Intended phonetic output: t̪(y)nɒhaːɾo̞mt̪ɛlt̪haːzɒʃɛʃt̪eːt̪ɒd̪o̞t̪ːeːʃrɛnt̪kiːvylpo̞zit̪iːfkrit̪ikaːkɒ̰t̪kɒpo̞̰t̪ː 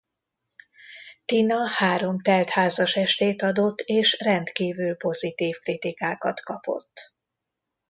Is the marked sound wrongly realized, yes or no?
yes